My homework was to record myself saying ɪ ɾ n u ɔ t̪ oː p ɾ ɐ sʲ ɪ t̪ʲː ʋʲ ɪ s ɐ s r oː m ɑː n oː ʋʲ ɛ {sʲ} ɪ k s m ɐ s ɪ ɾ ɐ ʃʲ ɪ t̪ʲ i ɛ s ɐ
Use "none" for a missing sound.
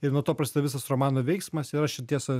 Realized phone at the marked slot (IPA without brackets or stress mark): none